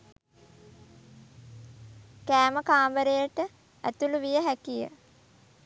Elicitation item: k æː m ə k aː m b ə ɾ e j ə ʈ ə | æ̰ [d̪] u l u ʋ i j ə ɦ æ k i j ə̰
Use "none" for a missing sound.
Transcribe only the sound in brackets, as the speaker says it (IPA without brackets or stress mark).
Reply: t̪